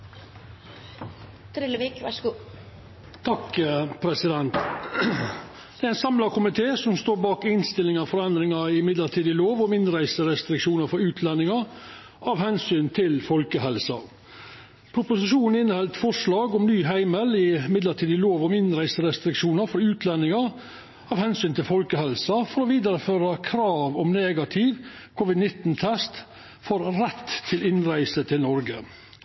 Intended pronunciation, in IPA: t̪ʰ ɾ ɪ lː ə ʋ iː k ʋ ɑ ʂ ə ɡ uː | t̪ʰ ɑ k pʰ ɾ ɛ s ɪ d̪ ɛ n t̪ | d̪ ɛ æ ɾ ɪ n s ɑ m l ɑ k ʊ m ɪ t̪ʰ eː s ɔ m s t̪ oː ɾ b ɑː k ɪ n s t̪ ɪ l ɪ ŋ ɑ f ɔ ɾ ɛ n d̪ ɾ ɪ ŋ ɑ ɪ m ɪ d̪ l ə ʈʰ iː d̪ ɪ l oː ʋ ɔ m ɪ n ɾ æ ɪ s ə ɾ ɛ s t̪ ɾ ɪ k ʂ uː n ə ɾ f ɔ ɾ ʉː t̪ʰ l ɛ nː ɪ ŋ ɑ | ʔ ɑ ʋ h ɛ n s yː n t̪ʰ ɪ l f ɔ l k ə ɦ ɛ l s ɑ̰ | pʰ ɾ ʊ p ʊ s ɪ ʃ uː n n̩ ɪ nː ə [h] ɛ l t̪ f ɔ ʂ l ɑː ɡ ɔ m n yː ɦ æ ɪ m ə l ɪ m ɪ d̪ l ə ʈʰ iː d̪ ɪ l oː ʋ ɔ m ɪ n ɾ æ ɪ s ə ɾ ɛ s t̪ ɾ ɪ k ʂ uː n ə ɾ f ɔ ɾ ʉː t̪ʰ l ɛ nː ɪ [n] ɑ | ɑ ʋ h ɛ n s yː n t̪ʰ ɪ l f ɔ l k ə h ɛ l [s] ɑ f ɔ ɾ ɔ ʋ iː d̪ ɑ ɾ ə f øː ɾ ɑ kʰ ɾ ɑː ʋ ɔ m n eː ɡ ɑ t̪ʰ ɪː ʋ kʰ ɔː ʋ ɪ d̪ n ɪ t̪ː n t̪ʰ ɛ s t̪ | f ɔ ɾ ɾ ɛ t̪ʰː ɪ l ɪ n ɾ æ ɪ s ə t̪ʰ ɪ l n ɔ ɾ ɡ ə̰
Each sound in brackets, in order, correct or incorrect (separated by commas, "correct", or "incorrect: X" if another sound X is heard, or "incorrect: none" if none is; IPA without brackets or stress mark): correct, incorrect: ŋ, correct